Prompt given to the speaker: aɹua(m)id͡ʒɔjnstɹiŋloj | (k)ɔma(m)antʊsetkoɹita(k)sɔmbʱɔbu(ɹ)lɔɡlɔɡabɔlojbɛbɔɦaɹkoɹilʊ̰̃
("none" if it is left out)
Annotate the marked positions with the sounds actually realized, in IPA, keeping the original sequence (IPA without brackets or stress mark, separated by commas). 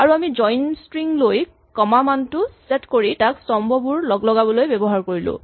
m, k, m, k, ɹ